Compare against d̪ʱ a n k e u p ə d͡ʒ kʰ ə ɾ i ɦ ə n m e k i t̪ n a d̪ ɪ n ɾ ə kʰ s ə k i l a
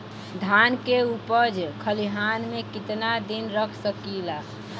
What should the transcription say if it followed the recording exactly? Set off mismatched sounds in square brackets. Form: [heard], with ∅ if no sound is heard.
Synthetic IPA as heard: d̪ʱ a n k e u p ə d͡ʒ kʰ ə [l] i ɦ [a] n m e k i t̪ n a d̪ [i] n ɾ ə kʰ s ə k i l a